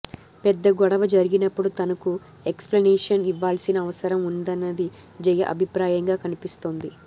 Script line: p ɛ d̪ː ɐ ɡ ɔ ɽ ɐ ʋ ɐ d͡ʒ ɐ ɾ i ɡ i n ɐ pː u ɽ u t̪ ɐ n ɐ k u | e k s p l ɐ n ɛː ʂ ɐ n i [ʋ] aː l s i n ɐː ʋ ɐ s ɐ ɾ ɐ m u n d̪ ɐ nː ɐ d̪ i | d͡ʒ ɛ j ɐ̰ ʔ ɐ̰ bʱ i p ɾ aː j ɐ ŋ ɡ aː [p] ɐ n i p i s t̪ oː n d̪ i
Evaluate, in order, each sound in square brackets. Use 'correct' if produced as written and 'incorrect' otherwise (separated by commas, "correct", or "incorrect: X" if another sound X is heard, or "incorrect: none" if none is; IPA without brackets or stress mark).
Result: incorrect: ʋː, incorrect: k